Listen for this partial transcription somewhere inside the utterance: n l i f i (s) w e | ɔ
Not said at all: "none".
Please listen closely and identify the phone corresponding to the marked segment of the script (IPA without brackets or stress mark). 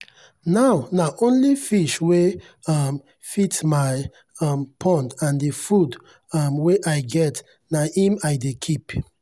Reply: ʃ